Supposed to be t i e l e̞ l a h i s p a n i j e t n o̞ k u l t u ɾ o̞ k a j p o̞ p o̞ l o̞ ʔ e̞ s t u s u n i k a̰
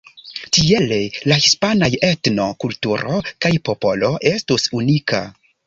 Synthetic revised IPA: t i e l e̞ l a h i s p a n a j e t n o̞ k u l t u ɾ o̞ k a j p o̞ p o̞ l o̞ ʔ e̞ s t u s u n i k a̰

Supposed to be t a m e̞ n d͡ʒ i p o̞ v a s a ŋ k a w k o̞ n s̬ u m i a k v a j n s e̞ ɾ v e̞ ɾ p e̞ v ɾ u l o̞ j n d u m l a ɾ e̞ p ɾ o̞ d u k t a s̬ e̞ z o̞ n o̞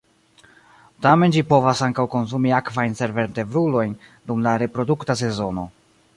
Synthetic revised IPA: t a m e̞ n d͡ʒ i p o̞ v a s a ŋ k a w k o̞ n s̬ u m i a k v a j n s e̞ ɾ v e̞ ɾ t e̞ v ɾ u l o̞ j n d u m l a ɾ e̞ p ɾ o̞ d u k t a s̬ e̞ z o̞ n o̞

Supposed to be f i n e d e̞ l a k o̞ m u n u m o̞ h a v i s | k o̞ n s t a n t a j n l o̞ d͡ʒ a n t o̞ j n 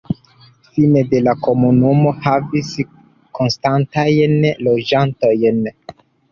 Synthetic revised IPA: f i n e d e̞ l a k o̞ m u n u m o̞ h a v i s | k o̞ n s t a n t a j n l o̞ d͡ʒ a n t o̞ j n

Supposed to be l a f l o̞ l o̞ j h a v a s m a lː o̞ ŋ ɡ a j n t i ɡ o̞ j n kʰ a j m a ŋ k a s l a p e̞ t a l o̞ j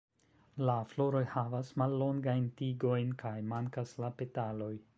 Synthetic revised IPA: l a f l o̞ ɾ o̞ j h a v a s m a lː o̞ ŋ ɡ a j n t i ɡ o̞ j n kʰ a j m a ŋ k a s l a p e̞ t a l o̞ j

